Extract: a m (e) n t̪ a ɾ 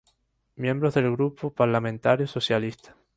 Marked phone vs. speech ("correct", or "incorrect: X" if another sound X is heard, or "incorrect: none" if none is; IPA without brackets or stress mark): incorrect: ẽ